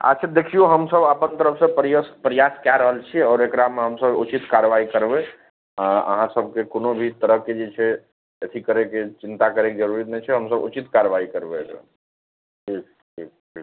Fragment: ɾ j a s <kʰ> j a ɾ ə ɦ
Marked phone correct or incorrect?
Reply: incorrect